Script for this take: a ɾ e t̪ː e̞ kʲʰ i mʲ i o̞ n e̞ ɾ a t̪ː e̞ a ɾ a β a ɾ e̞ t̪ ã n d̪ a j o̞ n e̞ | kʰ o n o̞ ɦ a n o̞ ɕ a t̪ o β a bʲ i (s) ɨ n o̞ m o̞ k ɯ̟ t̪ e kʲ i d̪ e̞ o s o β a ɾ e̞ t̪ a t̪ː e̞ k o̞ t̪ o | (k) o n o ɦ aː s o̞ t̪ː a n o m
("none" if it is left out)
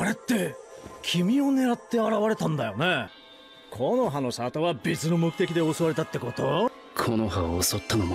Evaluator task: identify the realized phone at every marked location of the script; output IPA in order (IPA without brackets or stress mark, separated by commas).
t͡s, kʰ